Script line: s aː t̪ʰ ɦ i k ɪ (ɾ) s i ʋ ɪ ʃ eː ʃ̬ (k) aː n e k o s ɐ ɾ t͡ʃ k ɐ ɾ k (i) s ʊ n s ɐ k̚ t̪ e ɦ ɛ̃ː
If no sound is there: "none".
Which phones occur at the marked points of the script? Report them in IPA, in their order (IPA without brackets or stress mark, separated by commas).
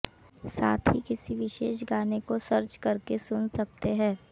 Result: none, ɡ, e